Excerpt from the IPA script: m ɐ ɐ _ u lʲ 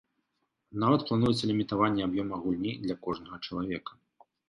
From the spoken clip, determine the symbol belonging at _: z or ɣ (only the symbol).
ɣ